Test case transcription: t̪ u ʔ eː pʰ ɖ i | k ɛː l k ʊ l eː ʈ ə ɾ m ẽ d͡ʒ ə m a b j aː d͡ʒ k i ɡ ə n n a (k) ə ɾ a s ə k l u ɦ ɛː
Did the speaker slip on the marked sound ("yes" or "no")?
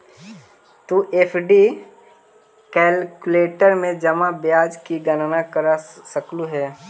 no